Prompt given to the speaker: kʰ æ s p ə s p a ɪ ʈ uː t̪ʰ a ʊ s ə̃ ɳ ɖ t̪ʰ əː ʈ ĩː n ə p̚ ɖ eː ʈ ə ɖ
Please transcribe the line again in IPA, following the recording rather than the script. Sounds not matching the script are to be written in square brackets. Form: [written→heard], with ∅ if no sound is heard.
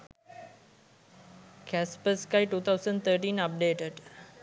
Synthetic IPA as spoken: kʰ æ s p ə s [p→k] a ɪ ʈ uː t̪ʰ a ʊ s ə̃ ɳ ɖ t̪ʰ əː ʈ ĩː n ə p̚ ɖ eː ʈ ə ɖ